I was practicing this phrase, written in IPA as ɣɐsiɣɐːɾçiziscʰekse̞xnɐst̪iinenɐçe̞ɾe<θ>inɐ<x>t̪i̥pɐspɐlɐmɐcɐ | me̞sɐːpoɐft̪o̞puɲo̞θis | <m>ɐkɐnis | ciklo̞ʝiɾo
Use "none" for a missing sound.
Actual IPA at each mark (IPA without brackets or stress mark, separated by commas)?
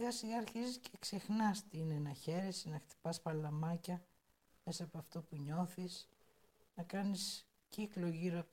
s, x, n